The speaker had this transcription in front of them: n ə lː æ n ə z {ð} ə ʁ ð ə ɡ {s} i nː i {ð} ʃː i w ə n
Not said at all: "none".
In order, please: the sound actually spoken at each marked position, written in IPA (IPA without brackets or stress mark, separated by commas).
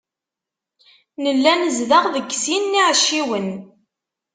ð, s, ʕ